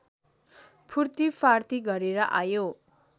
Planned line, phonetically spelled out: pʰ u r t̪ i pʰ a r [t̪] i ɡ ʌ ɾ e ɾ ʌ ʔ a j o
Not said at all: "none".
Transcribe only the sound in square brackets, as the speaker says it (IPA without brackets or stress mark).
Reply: t̪